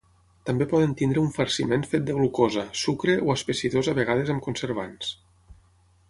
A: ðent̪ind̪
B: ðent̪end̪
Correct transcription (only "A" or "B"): A